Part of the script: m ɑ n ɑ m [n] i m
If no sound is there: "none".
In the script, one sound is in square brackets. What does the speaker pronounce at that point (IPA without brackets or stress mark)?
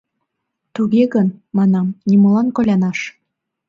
n